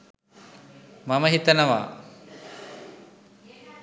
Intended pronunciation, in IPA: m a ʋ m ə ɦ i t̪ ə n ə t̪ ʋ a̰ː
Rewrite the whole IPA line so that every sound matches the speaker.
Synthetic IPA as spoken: m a m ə ɦ i t̪ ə n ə ʋ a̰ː